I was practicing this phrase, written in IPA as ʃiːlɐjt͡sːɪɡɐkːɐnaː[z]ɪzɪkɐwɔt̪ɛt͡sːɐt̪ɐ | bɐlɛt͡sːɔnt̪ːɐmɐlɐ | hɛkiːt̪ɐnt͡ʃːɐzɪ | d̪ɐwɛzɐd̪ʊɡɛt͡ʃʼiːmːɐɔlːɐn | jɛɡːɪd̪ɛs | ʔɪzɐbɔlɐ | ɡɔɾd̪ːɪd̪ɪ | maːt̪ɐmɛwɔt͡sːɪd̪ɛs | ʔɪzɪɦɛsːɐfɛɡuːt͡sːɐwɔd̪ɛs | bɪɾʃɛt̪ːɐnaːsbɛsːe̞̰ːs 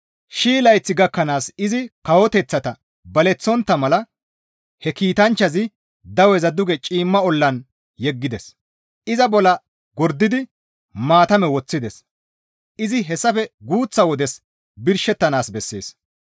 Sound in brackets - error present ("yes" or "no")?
yes